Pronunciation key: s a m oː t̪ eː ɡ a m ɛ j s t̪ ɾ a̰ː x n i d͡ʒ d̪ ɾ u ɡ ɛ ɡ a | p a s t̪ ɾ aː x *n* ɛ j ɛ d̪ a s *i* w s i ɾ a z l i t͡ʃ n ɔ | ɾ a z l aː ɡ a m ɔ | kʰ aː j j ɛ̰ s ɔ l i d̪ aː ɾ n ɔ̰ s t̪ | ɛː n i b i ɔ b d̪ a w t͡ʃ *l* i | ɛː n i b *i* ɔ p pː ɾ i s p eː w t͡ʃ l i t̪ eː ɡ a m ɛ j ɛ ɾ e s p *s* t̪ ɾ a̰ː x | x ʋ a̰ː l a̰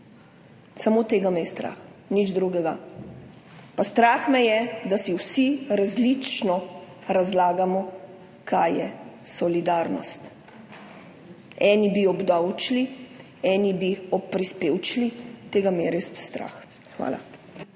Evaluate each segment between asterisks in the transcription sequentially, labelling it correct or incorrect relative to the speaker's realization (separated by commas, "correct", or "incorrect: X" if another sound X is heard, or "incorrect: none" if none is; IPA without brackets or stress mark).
incorrect: m, correct, correct, correct, correct